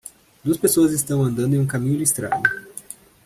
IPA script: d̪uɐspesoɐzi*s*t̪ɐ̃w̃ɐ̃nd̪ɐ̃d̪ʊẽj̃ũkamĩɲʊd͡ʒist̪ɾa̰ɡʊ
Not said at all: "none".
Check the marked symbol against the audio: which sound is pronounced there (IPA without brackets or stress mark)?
s